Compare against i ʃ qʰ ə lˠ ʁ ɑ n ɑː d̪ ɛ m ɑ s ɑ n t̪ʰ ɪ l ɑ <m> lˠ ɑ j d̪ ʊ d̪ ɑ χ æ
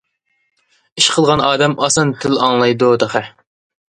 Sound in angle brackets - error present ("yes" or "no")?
yes